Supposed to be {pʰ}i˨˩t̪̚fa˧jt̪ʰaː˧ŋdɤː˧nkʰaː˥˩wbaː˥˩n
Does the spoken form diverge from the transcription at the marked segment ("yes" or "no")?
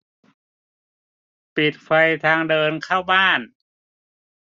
yes